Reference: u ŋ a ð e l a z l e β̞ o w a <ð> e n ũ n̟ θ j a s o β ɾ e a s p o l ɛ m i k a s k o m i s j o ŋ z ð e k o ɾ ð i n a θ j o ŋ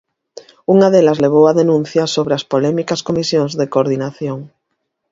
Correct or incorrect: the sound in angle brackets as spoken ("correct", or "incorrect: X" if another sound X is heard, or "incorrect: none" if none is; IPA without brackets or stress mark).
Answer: correct